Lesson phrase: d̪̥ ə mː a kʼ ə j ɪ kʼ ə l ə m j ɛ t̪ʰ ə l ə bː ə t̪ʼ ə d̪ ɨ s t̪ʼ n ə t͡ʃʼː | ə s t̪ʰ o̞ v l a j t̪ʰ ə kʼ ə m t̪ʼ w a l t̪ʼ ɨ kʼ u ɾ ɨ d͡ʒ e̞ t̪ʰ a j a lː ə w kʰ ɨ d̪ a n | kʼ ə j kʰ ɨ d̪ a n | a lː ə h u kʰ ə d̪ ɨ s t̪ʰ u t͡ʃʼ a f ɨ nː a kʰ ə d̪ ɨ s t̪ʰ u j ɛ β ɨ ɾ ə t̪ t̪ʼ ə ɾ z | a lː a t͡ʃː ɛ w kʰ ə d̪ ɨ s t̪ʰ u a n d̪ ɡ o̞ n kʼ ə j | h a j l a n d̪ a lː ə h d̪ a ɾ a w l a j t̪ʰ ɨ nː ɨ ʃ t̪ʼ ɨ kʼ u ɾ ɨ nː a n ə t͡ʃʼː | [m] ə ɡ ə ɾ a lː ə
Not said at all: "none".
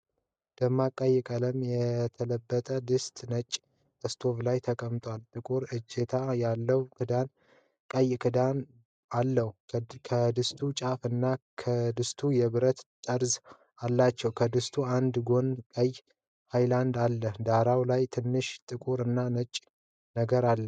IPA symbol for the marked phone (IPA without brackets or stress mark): n